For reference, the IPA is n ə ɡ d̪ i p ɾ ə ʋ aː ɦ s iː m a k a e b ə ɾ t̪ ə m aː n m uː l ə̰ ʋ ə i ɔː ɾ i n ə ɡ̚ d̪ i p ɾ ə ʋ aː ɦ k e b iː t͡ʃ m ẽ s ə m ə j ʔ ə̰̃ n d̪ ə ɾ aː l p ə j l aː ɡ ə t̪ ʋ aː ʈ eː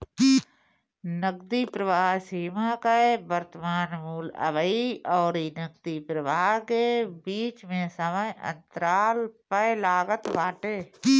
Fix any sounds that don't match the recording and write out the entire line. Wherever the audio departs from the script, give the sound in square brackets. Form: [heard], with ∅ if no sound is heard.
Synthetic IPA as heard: n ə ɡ d̪ i p ɾ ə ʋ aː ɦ s iː m a k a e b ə ɾ t̪ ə m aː n m uː l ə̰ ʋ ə i ɔː ɾ i n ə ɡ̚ d̪ i p ɾ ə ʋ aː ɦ k e b iː t͡ʃ m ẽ s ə m ə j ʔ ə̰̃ n [t̪] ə ɾ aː l p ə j l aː ɡ ə t̪ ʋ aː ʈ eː